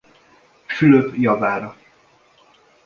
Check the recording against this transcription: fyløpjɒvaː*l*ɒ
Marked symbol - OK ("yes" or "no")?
no